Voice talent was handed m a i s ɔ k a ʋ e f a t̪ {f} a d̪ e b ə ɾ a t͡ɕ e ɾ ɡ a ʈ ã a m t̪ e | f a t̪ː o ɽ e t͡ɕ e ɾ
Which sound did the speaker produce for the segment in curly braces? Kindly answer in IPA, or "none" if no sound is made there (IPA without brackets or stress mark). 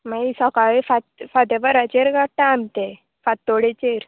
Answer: f